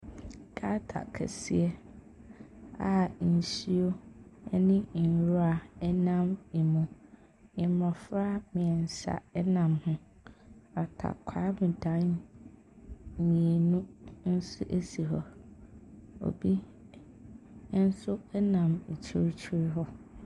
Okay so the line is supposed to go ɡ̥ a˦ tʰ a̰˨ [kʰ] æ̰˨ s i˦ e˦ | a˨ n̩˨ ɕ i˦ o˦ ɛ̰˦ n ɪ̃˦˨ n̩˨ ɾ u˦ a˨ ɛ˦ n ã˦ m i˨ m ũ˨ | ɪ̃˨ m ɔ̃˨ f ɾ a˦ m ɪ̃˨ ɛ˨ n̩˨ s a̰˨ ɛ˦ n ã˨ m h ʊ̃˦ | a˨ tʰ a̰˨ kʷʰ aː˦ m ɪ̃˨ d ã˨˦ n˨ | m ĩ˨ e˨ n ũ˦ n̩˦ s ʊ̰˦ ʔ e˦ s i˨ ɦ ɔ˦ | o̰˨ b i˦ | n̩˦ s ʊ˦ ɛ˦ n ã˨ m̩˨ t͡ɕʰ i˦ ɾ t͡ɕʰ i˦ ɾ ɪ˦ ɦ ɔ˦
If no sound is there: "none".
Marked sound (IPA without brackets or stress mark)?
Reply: kʰ